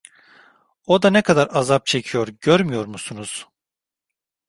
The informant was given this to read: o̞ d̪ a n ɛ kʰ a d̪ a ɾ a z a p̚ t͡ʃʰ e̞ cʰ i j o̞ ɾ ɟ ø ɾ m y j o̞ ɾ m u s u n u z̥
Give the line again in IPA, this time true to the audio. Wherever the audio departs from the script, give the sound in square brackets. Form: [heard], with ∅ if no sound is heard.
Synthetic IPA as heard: o̞ d̪ a n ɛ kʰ a d̪ a ɾ a z a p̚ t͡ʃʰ e̞ cʰ i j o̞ ɾ ɟ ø ɾ m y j o̞ ɾ m u s u n u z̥